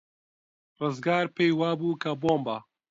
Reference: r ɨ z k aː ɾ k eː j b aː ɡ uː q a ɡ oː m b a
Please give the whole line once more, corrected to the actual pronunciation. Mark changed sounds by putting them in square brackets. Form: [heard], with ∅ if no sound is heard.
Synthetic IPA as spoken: r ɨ z [ɡ] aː ɾ [p] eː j [w] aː [b] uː [k] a [b] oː m b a